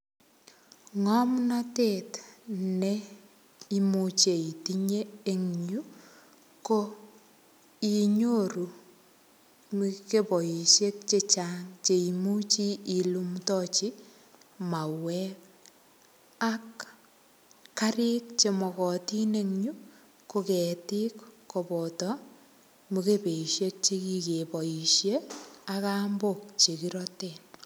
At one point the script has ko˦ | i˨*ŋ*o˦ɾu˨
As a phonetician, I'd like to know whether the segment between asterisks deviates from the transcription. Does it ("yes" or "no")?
yes